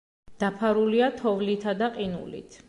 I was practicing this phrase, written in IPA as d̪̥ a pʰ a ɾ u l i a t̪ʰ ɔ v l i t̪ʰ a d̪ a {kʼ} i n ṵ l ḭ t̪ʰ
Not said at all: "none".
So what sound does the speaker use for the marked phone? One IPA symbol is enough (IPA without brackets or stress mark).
qʼ